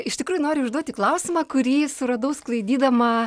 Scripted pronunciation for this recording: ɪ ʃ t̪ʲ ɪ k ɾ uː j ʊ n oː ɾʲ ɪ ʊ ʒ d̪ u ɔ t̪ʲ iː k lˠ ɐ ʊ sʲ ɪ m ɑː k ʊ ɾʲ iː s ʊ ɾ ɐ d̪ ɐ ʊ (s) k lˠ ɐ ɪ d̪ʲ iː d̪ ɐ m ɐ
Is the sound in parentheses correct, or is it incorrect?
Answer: correct